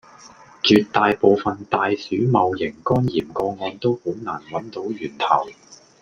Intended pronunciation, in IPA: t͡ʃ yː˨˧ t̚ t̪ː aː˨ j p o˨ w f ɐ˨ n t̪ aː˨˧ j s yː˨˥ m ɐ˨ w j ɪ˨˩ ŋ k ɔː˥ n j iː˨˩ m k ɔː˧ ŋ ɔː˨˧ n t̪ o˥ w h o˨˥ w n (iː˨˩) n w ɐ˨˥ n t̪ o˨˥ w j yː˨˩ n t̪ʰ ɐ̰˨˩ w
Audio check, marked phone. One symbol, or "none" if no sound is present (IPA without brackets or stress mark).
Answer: aː˨˩